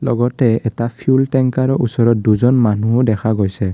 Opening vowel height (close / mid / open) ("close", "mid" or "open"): mid